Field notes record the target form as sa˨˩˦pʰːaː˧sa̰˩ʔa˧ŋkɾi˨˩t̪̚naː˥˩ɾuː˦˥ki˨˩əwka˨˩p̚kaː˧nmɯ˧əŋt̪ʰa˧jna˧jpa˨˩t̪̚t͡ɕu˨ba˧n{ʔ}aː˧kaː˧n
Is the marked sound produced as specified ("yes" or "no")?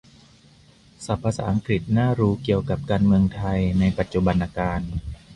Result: yes